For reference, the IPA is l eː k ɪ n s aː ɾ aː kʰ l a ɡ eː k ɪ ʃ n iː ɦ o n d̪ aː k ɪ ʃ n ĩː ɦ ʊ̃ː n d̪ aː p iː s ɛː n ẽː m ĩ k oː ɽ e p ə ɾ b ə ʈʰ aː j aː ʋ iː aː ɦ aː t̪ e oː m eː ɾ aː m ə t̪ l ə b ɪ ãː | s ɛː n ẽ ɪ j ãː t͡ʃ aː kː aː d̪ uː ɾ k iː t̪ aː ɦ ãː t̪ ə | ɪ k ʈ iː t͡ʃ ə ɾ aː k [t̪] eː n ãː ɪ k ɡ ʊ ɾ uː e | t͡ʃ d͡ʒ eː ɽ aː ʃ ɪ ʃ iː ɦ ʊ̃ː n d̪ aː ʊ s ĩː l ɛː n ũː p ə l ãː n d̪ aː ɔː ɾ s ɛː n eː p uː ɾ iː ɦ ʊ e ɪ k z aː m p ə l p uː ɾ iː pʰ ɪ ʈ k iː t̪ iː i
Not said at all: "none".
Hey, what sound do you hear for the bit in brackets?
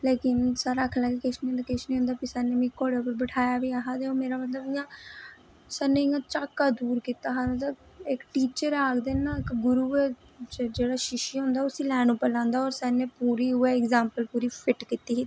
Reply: d̪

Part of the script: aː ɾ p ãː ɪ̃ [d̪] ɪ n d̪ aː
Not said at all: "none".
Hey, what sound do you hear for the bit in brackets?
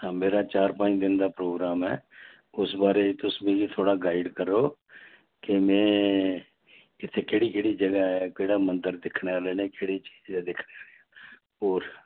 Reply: d̪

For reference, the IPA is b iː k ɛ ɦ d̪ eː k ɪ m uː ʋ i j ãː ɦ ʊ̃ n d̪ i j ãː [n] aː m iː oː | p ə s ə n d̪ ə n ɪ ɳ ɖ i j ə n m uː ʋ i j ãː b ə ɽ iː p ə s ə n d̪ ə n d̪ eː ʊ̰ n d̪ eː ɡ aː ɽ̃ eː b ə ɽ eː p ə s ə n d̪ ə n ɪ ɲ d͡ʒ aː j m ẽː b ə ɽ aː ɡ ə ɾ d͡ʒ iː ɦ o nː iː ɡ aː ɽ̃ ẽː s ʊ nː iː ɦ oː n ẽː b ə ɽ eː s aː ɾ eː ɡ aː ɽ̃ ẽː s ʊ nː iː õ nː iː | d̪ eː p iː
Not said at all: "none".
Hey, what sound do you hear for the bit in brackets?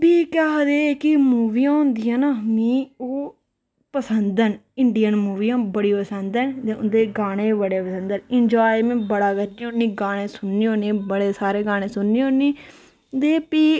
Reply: n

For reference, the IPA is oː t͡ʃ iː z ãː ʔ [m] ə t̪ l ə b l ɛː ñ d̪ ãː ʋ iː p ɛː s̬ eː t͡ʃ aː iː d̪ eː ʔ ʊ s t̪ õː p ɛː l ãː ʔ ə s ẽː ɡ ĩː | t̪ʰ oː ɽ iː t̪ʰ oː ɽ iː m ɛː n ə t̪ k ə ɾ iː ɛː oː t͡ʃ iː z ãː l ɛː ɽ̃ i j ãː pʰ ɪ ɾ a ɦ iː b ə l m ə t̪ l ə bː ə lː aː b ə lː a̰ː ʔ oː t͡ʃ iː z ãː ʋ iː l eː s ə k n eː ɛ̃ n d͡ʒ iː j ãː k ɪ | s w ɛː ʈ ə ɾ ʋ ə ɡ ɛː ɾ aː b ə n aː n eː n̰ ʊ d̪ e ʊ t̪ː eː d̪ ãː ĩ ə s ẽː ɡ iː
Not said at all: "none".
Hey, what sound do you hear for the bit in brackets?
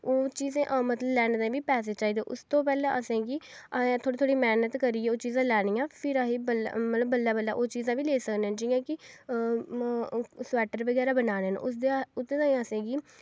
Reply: m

